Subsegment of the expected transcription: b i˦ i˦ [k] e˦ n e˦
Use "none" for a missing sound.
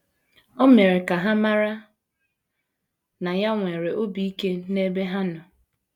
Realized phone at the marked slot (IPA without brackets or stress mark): k